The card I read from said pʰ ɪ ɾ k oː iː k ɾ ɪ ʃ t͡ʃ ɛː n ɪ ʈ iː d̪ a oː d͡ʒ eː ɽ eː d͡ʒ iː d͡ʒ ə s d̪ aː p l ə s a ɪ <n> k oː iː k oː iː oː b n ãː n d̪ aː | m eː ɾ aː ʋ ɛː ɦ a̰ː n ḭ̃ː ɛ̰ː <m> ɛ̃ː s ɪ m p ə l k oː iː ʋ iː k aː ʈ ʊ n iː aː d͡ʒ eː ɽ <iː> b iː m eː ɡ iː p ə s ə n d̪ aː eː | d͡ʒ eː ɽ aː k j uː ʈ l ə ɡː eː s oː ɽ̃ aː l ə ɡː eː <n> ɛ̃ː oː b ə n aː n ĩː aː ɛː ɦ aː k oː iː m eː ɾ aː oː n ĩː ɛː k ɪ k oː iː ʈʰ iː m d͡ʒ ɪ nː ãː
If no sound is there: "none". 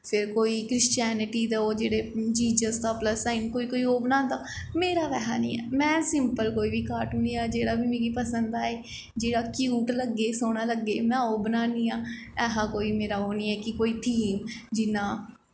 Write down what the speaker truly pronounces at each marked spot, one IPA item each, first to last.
n, m, aː, m

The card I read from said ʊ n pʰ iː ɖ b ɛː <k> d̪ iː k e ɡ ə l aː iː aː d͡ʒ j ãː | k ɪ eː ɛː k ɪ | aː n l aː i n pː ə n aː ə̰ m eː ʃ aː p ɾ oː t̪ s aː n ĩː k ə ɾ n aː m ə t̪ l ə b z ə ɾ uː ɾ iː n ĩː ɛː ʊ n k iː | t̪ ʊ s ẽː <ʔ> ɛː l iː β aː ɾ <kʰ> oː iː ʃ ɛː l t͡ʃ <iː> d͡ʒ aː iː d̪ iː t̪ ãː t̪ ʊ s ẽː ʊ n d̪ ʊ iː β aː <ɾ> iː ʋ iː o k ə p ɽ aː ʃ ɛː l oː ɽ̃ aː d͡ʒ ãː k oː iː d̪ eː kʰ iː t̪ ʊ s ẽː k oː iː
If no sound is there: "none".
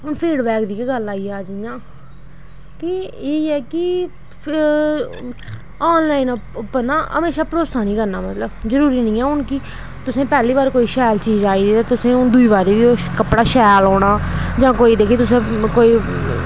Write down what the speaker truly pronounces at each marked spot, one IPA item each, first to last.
k, p, k, iː, ɾ

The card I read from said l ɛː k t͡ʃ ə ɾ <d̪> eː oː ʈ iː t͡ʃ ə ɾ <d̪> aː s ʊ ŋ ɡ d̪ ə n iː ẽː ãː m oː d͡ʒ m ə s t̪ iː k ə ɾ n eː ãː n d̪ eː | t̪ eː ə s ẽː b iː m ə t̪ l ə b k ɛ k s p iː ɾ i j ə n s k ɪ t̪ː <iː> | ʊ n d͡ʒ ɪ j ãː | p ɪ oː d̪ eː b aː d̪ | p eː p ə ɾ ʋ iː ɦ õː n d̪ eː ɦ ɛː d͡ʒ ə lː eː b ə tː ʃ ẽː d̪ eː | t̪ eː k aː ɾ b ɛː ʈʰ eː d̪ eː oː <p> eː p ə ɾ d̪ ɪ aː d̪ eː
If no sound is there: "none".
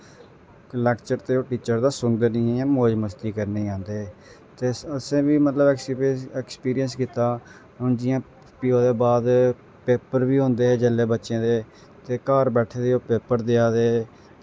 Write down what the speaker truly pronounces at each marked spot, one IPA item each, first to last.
t̪, d̪, aː, p

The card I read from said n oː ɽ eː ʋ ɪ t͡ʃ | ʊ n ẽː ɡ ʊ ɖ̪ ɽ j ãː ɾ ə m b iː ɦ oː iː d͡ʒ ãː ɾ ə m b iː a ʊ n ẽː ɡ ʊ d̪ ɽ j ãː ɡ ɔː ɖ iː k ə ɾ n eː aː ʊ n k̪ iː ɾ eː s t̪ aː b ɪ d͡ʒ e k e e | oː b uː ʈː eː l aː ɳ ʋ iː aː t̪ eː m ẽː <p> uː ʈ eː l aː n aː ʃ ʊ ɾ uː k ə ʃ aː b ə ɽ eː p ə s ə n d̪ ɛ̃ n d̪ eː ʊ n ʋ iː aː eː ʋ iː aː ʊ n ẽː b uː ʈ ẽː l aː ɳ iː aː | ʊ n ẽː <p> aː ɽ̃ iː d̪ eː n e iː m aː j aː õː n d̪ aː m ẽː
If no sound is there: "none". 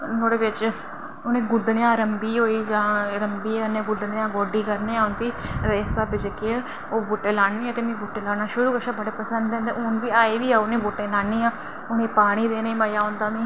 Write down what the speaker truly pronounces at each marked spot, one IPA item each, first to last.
b, p

